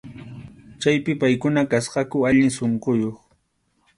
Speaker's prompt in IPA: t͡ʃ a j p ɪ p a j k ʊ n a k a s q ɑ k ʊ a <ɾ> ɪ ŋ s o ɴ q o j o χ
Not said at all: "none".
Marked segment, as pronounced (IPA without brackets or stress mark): ʎ